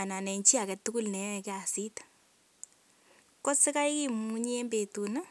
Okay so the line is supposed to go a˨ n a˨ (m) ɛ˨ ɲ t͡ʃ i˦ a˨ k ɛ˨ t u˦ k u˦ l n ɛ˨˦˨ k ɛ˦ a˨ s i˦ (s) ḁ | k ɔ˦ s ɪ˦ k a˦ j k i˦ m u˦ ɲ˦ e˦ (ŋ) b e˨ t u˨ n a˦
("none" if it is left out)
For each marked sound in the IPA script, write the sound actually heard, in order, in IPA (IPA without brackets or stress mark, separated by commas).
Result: n, t, m